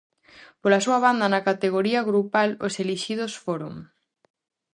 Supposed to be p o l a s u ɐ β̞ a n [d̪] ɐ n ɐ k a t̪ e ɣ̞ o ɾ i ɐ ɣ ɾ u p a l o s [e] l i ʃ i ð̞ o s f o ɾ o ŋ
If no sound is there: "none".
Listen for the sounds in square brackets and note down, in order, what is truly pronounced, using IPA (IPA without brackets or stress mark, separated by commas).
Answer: d̪, e